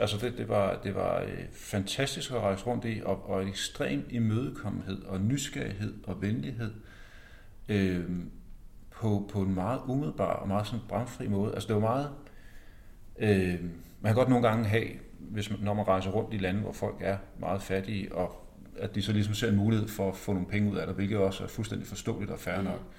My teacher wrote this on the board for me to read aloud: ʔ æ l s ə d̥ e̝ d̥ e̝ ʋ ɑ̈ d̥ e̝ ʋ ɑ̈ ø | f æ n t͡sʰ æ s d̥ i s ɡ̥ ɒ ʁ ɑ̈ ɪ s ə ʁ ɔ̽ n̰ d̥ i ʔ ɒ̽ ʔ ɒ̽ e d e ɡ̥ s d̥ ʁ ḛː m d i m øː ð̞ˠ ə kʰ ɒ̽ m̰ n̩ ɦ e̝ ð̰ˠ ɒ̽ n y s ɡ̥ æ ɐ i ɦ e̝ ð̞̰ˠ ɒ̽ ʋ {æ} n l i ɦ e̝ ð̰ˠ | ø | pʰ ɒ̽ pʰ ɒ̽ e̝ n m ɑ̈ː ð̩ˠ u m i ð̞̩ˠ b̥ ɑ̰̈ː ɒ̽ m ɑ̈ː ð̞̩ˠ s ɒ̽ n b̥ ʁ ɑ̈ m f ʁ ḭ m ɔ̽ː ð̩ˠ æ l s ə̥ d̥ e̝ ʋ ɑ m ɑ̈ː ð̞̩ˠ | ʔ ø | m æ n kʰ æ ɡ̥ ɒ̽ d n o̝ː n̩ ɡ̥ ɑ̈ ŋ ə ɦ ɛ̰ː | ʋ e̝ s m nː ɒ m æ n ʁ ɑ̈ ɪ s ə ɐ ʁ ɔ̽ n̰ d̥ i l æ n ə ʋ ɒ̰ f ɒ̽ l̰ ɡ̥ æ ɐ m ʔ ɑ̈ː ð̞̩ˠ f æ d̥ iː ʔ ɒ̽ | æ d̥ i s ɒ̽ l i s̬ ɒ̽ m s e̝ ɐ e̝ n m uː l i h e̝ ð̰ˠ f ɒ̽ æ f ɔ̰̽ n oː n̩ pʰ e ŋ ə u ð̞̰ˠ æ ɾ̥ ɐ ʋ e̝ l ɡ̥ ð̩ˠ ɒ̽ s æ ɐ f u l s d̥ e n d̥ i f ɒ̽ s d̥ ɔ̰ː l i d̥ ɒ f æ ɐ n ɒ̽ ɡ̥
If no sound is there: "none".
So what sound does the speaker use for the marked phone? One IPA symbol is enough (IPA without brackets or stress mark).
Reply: e